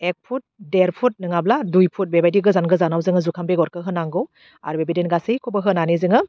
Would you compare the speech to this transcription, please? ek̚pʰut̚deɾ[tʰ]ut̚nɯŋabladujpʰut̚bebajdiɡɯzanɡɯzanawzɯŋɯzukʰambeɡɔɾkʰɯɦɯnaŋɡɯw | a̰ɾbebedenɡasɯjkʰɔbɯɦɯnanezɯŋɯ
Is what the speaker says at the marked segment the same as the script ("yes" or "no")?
no